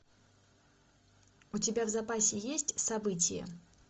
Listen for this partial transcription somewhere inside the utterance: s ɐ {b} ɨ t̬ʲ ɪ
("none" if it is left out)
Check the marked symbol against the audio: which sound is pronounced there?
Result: b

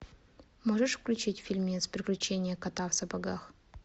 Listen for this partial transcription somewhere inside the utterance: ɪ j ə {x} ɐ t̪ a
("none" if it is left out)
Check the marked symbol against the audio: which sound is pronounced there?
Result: k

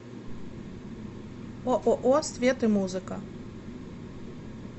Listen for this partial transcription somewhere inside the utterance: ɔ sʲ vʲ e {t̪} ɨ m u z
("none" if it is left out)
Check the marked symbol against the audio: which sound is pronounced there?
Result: t̪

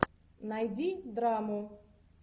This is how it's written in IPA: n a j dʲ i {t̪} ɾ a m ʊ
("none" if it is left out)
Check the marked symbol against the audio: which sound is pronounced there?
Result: d̪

